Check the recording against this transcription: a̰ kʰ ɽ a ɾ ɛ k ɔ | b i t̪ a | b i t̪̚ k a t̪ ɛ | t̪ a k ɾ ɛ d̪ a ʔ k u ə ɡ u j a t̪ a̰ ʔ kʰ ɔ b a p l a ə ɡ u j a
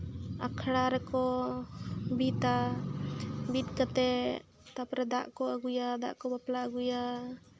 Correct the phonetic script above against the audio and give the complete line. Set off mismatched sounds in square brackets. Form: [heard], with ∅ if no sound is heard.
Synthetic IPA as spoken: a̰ kʰ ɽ a ɾ ɛ k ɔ | b i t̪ a | b i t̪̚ k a t̪ ɛ | t̪ a [p] ɾ ɛ d̪ a ʔ k [ɔ] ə ɡ u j a [d̪] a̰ ʔ [k] ɔ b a p l a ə ɡ u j a